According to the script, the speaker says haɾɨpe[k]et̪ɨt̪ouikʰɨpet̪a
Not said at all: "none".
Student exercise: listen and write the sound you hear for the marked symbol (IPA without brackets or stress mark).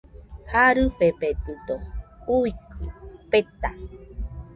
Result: p